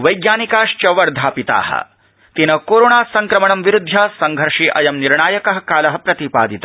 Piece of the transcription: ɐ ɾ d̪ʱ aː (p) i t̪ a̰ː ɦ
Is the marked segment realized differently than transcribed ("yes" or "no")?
no